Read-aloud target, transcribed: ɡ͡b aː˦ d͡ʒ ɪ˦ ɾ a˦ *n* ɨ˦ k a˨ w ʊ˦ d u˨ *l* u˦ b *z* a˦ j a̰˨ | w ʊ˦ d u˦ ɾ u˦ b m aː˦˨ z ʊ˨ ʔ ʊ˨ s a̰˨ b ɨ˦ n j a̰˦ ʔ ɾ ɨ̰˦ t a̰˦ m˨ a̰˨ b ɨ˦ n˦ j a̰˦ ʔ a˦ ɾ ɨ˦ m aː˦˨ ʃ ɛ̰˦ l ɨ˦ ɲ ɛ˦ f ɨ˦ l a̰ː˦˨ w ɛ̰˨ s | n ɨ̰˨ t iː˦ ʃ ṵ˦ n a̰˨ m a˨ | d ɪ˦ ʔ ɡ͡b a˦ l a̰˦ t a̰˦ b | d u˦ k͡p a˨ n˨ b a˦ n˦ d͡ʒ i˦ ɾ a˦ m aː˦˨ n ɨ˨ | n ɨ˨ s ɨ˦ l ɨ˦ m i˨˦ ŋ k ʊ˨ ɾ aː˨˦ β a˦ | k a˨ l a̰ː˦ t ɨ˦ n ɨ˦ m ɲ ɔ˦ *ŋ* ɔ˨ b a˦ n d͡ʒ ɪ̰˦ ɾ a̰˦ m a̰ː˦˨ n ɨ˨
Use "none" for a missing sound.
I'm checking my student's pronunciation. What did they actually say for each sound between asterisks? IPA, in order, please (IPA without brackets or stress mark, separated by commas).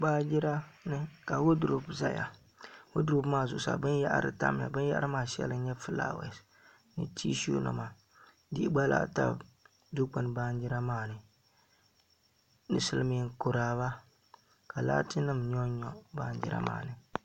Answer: n, ɾ, z, ɲ